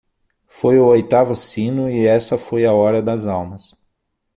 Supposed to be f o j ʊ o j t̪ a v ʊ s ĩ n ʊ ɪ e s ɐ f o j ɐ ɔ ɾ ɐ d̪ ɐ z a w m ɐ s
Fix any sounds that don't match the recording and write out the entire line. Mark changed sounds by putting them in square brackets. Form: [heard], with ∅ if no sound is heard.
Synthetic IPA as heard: f o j ʊ o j t̪ a v ʊ s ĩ n ʊ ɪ [ɛ] s ɐ f o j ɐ ɔ ɾ ɐ d̪ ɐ z a w m ɐ s